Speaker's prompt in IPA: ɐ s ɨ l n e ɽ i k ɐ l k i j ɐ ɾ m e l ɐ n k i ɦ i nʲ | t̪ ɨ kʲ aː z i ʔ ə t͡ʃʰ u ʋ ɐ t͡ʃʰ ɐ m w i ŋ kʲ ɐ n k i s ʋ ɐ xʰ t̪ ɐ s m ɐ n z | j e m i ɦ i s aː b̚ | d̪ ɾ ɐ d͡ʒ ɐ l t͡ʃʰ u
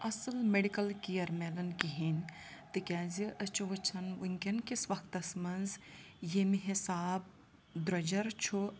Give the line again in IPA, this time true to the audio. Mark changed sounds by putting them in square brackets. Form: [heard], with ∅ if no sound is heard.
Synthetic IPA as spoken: ɐ s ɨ l [m] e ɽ i k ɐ l k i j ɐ ɾ m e l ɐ n k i ɦ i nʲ | t̪ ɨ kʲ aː z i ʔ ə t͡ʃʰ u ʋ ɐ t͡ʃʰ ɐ [n] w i ŋ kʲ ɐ n k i s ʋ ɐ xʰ t̪ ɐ s m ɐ n z | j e m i ɦ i s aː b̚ | d̪ ɾ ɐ d͡ʒ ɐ [ɾ] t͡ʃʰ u